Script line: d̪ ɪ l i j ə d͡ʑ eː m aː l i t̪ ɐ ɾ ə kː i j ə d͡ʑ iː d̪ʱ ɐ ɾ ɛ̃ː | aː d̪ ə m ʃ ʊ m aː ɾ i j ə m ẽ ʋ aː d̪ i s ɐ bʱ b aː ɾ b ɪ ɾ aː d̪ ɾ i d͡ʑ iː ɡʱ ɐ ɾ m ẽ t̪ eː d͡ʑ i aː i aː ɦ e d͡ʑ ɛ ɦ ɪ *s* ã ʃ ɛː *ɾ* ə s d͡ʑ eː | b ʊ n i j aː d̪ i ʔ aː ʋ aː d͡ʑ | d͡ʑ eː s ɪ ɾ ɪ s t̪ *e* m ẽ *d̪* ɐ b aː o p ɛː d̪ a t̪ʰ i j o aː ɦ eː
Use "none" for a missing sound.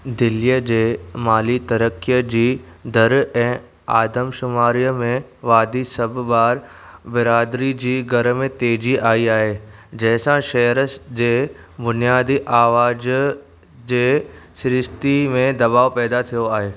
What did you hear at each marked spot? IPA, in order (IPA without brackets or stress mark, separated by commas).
s, ɾ, i, d̪